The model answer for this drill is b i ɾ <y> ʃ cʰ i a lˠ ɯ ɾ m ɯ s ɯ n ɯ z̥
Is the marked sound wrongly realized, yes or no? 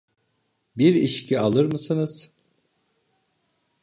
yes